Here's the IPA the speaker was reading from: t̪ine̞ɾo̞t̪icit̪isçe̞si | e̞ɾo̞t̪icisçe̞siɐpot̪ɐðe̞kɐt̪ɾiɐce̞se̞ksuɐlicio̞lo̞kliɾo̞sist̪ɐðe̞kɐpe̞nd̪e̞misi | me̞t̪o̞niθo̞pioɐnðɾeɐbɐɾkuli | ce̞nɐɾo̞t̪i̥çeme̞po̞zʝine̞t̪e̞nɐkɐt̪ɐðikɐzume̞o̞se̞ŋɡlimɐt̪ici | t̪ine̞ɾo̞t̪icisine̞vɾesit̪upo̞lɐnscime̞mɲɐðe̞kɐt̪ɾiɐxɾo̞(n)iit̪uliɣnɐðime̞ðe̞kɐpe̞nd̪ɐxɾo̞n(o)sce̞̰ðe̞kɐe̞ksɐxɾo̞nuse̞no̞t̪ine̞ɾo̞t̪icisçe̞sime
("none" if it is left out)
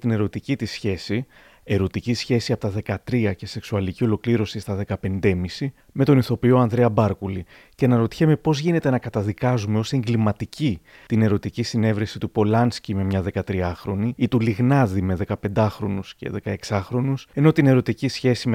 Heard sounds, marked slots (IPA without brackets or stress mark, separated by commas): n, u